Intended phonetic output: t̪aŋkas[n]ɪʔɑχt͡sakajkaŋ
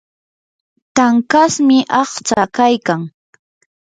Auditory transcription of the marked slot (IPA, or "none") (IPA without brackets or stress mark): m